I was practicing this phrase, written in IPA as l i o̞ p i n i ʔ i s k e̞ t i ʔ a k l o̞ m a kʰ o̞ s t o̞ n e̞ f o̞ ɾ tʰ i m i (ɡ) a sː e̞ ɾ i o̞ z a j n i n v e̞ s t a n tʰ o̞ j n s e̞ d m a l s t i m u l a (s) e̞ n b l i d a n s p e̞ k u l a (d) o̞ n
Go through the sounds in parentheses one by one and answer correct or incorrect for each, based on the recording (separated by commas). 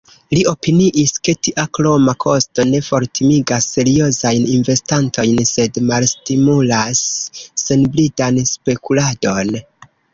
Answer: correct, incorrect, correct